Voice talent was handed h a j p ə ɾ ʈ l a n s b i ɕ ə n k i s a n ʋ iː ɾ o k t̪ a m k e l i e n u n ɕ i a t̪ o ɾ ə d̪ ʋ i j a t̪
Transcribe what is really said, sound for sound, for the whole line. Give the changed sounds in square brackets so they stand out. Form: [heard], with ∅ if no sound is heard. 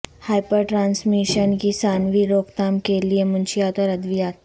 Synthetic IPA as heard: h a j p ə ɾ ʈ [ɾ] a n s [m] i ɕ ə n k i s a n ʋ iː ɾ o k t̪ a m k e l i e [m] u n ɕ i a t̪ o ɾ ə d̪ ʋ i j a t̪

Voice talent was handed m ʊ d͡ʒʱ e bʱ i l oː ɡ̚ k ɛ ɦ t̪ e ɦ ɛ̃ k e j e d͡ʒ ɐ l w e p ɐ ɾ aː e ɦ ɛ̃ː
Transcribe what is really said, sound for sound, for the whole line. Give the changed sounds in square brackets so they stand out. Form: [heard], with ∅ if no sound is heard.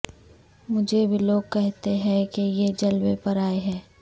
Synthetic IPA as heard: m ʊ d͡ʒʱ e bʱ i l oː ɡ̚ k ɛ ɦ t̪ e ɦ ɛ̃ k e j e d͡ʒ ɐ l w e p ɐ ɾ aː e ɦ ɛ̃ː

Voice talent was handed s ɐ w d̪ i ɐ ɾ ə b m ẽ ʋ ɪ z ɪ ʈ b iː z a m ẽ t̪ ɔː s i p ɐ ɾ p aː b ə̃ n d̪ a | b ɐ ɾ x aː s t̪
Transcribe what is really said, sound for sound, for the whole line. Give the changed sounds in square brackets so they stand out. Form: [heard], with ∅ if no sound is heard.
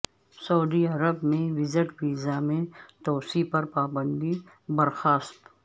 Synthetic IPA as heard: s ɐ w d̪ i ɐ ɾ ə b m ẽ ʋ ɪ z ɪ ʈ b iː z a m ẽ t̪ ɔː s i p ɐ ɾ p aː b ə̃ n d̪ [i] | b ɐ ɾ x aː s t̪

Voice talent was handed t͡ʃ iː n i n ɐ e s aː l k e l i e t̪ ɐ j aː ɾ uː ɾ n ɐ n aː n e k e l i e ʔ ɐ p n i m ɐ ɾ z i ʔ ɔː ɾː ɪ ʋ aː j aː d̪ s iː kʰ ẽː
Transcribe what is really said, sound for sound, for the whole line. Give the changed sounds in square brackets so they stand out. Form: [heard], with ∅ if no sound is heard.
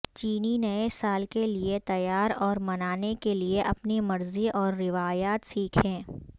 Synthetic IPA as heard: t͡ʃ iː n i n ɐ e s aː l k e l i e t̪ ɐ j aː ɾ [ɔː] ɾ [m] ɐ n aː n e k e l i e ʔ ɐ p n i m ɐ ɾ z i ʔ ɔː ɾː ɪ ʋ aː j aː [t̪] s iː kʰ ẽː

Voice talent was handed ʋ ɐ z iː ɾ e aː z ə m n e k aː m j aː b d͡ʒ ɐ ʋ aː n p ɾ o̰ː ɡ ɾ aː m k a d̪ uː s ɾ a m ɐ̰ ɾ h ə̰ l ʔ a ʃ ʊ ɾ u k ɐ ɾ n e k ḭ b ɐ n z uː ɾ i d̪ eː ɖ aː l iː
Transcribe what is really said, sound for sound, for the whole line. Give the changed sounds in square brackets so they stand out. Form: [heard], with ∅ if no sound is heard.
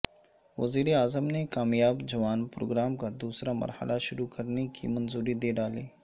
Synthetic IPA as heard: ʋ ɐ z iː ɾ e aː z ə m n e k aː m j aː b d͡ʒ ɐ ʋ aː n p ɾ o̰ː ɡ ɾ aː m k a d̪ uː s ɾ a m ɐ̰ ɾ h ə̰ l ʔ a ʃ ʊ ɾ u k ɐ ɾ n e k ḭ [m] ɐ n z uː ɾ i d̪ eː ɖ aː l iː

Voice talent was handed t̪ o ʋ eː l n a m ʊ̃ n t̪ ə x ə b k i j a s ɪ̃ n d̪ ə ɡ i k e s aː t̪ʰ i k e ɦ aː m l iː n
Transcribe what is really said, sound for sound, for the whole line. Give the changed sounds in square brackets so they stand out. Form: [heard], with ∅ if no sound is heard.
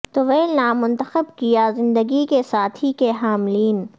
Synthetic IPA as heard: t̪ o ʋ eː l n a m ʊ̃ n t̪ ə x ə b k i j a [z] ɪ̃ n d̪ ə ɡ i k e s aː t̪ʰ i k e ɦ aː m l iː n

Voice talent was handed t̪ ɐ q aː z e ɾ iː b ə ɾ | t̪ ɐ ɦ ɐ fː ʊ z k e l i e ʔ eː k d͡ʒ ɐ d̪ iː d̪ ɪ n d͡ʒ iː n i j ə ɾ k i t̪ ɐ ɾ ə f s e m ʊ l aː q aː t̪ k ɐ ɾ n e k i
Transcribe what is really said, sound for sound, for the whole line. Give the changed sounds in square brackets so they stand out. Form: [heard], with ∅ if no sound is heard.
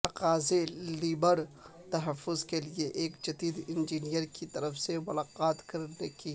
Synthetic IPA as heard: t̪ ɐ q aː z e [l] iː b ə ɾ | t̪ ɐ ɦ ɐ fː ʊ z k e l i e ʔ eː k d͡ʒ ɐ d̪ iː d̪ ɪ n d͡ʒ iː n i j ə ɾ k i t̪ ɐ ɾ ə f s e m ʊ l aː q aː t̪ k ɐ ɾ n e k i

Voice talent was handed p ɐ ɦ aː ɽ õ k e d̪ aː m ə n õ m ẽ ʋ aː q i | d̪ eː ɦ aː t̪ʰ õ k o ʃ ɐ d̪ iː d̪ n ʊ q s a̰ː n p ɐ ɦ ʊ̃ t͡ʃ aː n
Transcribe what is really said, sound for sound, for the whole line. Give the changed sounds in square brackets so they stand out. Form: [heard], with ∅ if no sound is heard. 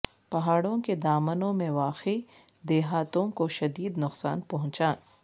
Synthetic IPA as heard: p ɐ ɦ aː ɽ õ k e d̪ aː m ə n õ m ẽ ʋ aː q i | d̪ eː ɦ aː [t̪] õ k o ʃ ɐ d̪ iː d̪ n ʊ q s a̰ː n p ɐ ɦ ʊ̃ t͡ʃ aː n

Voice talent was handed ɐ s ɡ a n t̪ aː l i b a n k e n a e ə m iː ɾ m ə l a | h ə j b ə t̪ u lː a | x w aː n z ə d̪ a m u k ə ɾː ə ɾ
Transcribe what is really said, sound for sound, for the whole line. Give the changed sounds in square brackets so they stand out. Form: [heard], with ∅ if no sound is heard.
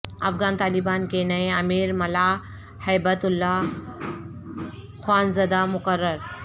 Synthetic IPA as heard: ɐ [f] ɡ a n t̪ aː l i b a n k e n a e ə m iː ɾ m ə l a | h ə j b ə t̪ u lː a | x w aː n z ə d̪ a m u k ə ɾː ə ɾ

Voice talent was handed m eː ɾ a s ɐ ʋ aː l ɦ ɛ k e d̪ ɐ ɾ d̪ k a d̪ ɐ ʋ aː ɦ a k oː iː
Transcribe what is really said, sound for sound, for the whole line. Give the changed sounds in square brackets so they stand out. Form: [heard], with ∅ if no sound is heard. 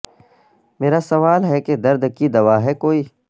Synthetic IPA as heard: m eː ɾ a s ɐ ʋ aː l ɦ ɛ k e d̪ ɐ ɾ d̪ k [i] d̪ ɐ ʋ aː ɦ [ɛ] k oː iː

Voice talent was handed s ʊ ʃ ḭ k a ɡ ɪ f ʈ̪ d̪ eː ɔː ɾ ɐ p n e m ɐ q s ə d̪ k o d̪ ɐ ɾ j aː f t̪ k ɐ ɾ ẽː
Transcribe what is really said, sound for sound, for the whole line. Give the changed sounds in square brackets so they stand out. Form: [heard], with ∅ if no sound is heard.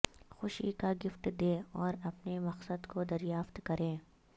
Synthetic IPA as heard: [x] ʊ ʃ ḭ k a ɡ ɪ f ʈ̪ d̪ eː ɔː ɾ ɐ p n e m ɐ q s ə d̪ k o d̪ ɐ ɾ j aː f t̪ k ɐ ɾ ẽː

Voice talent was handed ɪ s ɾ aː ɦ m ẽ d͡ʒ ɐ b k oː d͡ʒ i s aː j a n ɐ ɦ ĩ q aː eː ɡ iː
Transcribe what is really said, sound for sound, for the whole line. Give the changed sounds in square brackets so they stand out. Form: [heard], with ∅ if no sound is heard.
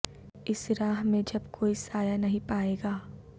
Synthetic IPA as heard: ɪ s ɾ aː ɦ m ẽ d͡ʒ ɐ b k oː [∅] i s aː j a n ɐ ɦ ĩ [p] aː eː ɡ [aː]

